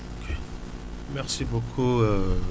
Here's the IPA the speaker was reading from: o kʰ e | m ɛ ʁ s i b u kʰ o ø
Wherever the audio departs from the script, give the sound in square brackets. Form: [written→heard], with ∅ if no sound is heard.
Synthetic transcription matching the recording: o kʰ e | m ɛ ʁ s i b [u→o] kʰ [o→u] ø